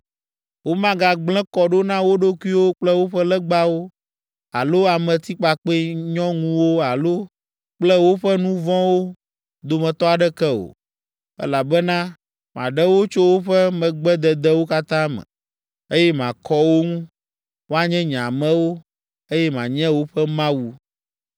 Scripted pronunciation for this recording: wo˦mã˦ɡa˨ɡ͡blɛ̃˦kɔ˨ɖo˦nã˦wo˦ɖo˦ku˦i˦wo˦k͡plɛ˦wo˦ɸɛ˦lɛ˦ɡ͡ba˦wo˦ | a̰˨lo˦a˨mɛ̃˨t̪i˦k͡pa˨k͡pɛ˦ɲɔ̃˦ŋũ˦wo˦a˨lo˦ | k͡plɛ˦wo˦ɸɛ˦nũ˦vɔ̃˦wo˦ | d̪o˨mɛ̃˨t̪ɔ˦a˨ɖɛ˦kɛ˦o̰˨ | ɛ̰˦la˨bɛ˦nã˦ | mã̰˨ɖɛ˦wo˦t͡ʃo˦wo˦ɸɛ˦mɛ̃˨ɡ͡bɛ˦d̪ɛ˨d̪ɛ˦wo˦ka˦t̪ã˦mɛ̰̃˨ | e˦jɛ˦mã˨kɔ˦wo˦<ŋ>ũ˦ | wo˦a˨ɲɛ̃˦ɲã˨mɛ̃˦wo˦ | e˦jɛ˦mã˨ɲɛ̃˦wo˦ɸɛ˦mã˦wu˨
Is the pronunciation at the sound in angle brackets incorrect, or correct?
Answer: correct